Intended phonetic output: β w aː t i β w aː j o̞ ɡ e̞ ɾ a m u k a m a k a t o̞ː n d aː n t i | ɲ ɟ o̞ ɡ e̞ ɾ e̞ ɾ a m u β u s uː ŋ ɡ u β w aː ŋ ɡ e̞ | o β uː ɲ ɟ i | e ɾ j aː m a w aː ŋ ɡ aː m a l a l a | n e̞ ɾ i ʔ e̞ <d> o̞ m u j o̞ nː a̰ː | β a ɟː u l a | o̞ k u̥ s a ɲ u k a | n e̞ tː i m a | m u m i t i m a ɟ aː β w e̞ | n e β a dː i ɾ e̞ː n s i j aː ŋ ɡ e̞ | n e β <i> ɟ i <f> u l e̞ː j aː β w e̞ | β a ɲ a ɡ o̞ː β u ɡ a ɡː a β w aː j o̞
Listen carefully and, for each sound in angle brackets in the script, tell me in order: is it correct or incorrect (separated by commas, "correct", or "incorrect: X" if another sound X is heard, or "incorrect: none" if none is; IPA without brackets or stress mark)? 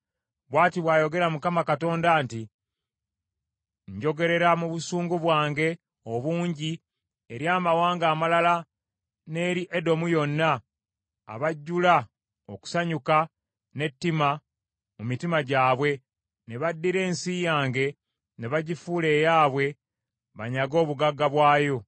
correct, incorrect: a, correct